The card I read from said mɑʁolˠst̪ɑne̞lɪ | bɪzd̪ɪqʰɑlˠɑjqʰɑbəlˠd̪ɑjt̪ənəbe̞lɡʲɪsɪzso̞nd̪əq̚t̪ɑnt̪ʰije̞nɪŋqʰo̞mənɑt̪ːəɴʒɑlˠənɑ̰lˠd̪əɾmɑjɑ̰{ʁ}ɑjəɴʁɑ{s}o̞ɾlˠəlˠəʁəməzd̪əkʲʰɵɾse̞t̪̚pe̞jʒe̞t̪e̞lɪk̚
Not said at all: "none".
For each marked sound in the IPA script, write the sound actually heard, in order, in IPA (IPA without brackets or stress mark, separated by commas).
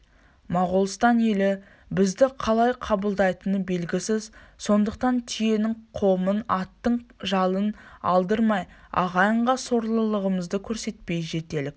ʁ, s